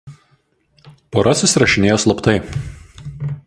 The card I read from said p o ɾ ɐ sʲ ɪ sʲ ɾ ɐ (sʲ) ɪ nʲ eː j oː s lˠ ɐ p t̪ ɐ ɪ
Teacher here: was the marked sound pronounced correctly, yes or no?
no